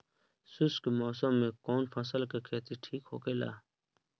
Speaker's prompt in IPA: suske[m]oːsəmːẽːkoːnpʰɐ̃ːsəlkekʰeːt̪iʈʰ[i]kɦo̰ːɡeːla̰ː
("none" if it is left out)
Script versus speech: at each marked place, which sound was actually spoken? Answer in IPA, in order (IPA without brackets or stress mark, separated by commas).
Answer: m, iː